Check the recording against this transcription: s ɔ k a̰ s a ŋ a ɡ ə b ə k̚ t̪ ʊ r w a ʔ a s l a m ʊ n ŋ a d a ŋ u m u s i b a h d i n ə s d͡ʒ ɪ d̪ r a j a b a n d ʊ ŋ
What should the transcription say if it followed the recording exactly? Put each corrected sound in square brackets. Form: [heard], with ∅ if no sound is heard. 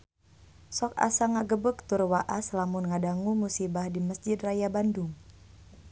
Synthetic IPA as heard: s ɔ k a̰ s a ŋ a ɡ ə b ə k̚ t̪ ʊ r w a ʔ a s l a m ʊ n ŋ a d a ŋ u m u s i b a h d i [m] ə s d͡ʒ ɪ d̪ r a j a b a n d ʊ ŋ